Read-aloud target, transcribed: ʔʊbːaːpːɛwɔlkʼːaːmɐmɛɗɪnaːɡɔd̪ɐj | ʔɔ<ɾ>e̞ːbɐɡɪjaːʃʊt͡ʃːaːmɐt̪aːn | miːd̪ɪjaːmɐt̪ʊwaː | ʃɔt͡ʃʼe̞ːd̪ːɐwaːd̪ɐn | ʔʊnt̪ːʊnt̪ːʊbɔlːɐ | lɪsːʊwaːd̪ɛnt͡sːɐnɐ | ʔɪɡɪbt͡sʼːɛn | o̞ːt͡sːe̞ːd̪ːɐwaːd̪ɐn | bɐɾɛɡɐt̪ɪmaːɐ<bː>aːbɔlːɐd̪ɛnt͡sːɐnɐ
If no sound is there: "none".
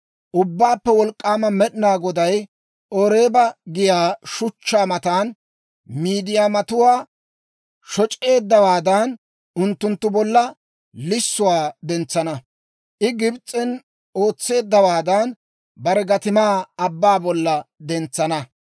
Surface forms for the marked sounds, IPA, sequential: ɾ, bː

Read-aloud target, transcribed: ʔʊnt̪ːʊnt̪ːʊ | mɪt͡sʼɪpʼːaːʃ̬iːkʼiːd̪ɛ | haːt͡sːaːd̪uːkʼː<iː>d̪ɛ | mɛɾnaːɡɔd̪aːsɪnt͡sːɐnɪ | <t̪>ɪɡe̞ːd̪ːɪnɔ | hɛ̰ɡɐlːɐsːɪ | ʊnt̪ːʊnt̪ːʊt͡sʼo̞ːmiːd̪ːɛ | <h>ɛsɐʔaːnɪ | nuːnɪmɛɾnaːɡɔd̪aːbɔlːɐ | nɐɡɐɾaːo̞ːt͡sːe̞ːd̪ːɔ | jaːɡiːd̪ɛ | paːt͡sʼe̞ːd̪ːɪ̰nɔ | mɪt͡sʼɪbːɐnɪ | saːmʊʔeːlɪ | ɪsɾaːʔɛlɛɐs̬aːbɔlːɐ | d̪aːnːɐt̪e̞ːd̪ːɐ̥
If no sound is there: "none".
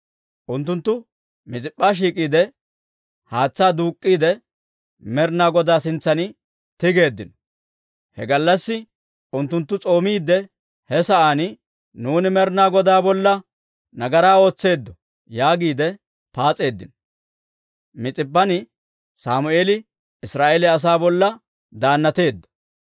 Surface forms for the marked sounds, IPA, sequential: iː, t̪, h

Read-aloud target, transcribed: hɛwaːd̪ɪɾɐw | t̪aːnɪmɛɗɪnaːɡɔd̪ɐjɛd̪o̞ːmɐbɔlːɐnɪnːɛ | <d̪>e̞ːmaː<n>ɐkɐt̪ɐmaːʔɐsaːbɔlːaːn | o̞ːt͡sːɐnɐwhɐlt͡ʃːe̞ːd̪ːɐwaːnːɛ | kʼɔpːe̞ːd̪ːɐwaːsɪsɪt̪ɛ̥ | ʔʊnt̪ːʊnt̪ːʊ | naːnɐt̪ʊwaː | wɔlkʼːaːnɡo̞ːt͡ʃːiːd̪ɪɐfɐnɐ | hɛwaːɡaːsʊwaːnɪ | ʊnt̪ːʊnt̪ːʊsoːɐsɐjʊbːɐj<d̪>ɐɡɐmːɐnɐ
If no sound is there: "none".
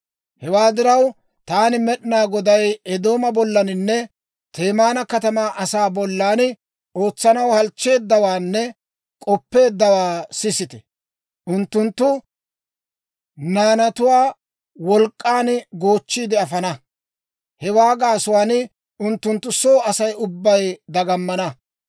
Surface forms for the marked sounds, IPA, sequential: t̪, n, d̪

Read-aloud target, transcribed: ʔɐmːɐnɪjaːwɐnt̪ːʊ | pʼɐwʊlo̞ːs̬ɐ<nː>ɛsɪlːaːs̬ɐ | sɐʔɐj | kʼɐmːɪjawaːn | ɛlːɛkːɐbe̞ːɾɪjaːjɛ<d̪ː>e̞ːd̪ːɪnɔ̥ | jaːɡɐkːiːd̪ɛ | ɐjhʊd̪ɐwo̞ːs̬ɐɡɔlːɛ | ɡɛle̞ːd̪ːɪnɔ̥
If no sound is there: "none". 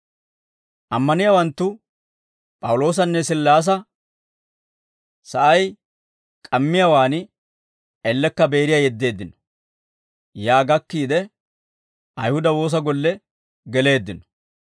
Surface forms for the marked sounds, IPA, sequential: nː, d̪ː

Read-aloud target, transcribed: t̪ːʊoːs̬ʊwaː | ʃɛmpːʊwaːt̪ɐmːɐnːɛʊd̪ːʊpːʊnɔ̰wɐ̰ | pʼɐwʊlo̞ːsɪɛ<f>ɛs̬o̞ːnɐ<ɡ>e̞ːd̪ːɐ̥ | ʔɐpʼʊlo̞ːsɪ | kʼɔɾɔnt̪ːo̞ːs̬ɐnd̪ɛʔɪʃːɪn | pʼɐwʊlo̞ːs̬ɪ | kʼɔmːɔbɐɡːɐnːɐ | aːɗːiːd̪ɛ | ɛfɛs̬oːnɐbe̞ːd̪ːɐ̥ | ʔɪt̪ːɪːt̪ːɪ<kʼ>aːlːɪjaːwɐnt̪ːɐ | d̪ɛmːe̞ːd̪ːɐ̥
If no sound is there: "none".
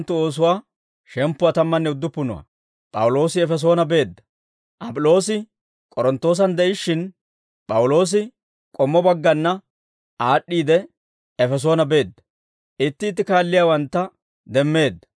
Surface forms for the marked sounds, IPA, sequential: f, b, k

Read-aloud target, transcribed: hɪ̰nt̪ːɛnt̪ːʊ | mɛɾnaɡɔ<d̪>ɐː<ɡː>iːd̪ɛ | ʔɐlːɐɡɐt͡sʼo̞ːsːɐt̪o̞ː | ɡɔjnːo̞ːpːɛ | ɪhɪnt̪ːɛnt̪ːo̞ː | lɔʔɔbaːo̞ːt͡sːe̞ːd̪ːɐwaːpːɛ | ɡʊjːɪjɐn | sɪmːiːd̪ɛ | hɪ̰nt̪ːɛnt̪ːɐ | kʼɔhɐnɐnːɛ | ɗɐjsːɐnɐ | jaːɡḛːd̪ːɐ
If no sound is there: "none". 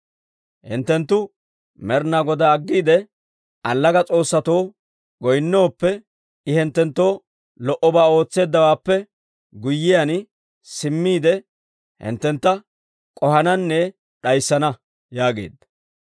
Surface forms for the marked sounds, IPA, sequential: d̪, ɡː

